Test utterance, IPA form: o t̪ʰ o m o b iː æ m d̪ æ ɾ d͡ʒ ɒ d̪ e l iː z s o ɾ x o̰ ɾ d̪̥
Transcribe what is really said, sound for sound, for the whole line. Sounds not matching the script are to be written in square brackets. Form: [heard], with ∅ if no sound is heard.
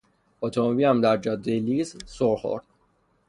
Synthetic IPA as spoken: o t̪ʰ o m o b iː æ m d̪ æ ɾ d͡ʒ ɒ d̪ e l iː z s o ɾ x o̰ ɾ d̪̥